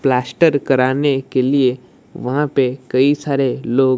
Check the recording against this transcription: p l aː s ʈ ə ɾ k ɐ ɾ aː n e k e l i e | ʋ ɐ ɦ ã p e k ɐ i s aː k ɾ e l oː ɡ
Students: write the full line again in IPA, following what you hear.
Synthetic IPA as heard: p l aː s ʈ ə ɾ k ɐ ɾ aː n e k e l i e | ʋ ɐ ɦ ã p e k ɐ i s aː ɾ e l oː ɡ